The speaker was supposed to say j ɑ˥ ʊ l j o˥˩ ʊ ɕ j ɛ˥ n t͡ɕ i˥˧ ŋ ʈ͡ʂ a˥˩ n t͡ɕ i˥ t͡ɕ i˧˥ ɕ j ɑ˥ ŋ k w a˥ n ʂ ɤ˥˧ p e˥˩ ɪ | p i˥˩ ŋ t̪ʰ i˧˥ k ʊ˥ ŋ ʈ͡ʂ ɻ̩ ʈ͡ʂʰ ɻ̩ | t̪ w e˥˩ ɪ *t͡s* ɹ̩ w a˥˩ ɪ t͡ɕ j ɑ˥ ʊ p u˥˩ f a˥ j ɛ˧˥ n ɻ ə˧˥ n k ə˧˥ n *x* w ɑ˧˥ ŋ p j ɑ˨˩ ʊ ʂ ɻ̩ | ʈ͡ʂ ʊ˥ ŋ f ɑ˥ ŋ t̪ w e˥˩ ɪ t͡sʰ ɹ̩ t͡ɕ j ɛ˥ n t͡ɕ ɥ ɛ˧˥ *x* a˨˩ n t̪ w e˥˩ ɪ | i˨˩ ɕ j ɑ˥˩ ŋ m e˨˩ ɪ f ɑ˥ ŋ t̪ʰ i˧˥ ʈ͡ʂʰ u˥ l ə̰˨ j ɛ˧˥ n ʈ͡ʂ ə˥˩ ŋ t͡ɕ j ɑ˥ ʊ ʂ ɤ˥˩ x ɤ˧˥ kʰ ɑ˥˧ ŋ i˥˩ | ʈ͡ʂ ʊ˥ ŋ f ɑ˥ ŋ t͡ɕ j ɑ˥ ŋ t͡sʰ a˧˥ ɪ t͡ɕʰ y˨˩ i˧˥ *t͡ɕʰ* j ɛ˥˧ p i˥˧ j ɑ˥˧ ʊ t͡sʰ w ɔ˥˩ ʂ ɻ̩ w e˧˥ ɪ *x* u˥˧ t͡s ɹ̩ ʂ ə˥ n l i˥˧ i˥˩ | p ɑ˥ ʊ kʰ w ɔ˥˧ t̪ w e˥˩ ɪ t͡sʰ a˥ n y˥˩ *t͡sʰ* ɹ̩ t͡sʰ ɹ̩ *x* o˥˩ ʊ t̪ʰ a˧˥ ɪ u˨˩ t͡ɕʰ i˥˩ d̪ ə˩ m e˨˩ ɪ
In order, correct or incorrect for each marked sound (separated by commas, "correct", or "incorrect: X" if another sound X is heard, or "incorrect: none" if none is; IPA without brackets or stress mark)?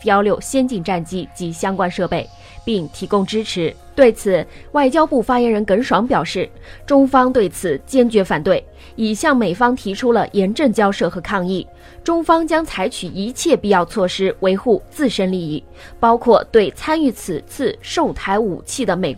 incorrect: t͡sʰ, incorrect: ʂ, incorrect: f, correct, correct, correct, incorrect: ʂ